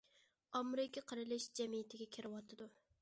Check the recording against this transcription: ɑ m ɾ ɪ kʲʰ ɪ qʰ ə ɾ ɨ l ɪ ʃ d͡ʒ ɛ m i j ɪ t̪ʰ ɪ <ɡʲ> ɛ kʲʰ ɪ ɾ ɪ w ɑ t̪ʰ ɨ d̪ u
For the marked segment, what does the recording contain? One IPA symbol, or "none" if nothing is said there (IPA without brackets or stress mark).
ɡʲ